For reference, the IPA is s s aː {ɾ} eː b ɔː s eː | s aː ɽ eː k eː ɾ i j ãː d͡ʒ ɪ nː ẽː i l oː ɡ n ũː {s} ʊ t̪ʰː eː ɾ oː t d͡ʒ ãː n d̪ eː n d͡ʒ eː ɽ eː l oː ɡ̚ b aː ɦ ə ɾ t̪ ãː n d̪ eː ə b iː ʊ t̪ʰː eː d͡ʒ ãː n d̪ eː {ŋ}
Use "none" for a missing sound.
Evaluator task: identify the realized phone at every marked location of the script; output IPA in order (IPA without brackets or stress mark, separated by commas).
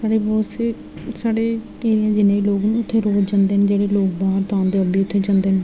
ɽ, none, n